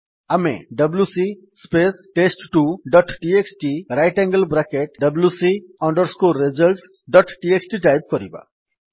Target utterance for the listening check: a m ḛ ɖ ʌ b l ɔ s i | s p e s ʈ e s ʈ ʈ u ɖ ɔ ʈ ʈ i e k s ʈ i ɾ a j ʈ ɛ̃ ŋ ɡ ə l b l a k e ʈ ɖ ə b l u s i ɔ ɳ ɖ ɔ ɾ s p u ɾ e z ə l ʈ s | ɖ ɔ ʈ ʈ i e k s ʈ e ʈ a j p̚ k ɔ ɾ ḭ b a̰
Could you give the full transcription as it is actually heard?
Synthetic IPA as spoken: a m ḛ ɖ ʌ b l u s i | s p e s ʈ e s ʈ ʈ u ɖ ɔ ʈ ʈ i e k s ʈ i ɾ a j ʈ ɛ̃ ŋ ɡ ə l b ɾ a k e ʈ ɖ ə b l u s i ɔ ɳ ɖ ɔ ɾ s k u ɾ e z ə l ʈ s | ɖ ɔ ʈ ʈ i e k s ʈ i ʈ a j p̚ k ɔ ɾ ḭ b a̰

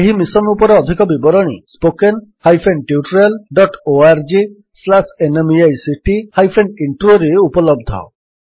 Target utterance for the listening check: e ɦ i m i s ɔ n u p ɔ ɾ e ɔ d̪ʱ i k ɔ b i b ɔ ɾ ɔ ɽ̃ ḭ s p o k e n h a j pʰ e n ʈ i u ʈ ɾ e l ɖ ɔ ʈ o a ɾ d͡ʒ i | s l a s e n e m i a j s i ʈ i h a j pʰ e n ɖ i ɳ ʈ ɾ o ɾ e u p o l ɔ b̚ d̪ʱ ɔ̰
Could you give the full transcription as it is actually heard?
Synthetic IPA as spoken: e ɦ i m i s ɔ n u p ɔ ɾ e ɔ d̪ʱ i k ɔ b i b ɔ ɾ ɔ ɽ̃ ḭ s p o k e n h a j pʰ e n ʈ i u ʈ ɾ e l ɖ ɔ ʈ o a ɾ d͡ʒ i | s l a s e n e m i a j s i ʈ i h a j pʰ e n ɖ i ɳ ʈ ɾ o ɾ e u p ɔ l ɔ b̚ d̪ʱ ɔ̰

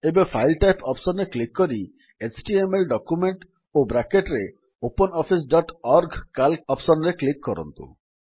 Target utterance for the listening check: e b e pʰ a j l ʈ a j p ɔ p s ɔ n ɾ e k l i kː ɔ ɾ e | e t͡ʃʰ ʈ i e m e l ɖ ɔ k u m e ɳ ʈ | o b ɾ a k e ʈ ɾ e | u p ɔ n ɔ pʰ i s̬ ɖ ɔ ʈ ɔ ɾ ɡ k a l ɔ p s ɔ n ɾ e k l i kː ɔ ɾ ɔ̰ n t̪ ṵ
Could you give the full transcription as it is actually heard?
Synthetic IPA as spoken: e b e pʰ a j l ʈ a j p ɔ p s ɔ n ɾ e k l i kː ɔ ɾ i | e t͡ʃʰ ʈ i e m e l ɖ ɔ k u m e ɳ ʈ | o b ɾ a k e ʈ ɾ e | o p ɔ n ɔ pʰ i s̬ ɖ ɔ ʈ ɔ ɾ ɡ k a l ɔ p s ɔ n ɾ e k l i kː ɔ ɾ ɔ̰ n t̪ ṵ

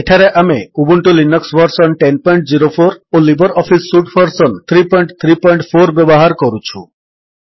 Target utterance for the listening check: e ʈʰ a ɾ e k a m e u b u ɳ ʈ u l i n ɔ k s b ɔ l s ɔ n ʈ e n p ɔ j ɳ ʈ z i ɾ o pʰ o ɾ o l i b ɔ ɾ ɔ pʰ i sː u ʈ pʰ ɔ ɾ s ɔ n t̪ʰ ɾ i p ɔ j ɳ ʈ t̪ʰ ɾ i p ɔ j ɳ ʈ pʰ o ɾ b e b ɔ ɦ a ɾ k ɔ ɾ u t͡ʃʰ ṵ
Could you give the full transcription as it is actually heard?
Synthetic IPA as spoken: e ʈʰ a ɾ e ʔ a m e u b u ɳ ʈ u l i n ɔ k s b ɔ ɾ s ɔ n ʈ e n p ɔ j ɳ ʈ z i ɾ o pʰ o ɾ o l i b ɔ ɾ ɔ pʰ i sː u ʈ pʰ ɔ ɾ s ɔ n t̪ʰ ɾ i p ɔ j ɳ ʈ t̪ʰ ɾ i p ɔ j ɳ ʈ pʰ o ɾ b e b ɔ ɦ a ɾ k ɔ ɾ u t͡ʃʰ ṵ

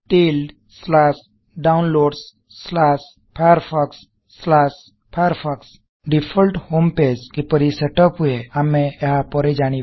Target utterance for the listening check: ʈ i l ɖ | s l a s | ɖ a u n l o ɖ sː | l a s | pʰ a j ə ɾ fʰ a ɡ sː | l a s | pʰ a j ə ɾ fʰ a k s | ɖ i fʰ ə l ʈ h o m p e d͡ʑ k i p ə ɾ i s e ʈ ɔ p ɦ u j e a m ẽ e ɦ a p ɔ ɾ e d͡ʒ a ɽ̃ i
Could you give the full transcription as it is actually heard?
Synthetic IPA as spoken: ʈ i l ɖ | s l a s | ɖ a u n l o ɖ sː | l a s | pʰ a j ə ɾ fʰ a k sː | l a s | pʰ a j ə ɾ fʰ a k s | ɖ i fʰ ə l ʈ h o m p e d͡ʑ k i p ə ɾ i s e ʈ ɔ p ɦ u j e a m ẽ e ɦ a p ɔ ɾ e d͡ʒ a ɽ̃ i

